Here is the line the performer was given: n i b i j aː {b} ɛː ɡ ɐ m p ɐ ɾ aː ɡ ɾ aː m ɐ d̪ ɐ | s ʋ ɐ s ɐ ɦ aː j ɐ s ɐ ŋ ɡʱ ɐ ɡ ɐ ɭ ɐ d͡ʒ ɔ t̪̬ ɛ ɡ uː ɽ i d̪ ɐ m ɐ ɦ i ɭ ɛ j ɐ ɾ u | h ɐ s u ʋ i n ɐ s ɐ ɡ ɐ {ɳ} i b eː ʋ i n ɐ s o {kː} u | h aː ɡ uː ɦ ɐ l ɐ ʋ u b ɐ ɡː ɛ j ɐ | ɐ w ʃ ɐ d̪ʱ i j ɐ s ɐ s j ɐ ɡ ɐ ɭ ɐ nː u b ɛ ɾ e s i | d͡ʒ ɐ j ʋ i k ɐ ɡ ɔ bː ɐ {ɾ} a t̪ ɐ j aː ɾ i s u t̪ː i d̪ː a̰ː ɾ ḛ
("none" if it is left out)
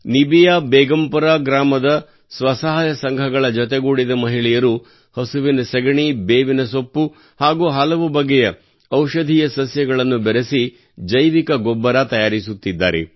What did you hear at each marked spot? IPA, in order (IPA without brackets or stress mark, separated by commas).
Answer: b, ɳ, pː, ɾ